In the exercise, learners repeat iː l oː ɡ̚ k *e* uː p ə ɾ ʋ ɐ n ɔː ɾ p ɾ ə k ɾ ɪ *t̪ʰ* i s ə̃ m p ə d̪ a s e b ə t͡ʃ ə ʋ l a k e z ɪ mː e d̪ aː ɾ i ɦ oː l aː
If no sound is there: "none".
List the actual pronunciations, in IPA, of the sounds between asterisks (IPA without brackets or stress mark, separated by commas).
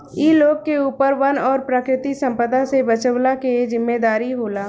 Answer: e, t̪